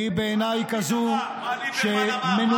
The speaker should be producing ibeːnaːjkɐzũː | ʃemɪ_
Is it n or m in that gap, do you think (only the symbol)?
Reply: n